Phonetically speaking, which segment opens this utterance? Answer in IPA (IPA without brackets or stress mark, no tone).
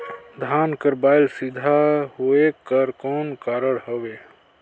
d̪ʱ